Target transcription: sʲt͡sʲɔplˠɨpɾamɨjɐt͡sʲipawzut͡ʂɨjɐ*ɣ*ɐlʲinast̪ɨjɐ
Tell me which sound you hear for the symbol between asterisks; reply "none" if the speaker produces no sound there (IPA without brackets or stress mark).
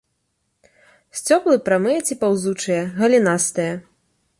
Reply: ɣ